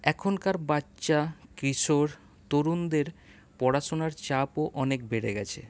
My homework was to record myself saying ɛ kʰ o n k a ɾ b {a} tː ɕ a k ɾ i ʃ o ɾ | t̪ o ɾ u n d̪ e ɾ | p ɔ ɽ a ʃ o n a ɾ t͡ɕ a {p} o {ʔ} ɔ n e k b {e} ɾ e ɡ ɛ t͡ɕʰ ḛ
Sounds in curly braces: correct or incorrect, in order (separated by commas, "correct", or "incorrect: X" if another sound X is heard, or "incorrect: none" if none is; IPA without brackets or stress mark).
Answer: correct, correct, correct, correct